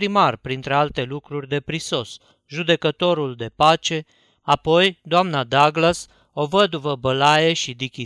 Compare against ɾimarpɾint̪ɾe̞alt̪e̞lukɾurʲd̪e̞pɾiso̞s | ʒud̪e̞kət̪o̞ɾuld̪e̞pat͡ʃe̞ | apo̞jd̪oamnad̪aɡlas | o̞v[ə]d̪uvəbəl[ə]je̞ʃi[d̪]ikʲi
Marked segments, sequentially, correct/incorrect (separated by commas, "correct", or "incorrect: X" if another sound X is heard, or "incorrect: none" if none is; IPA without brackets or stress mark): correct, incorrect: a, correct